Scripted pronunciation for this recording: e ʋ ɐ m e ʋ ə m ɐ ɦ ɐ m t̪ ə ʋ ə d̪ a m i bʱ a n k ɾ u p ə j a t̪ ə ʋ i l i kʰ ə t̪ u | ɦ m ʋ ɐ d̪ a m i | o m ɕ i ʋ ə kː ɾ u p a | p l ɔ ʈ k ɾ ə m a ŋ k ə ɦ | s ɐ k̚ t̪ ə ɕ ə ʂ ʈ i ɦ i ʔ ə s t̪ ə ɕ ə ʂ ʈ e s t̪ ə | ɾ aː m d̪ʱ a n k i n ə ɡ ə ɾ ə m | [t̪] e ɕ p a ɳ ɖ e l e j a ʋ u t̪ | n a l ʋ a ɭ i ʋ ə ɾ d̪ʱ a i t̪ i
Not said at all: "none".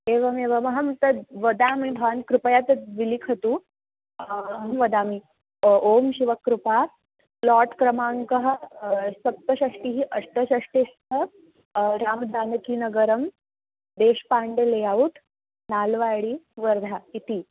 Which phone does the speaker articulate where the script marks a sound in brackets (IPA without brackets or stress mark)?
d̪